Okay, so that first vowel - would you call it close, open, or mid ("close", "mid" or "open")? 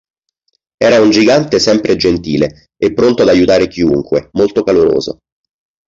mid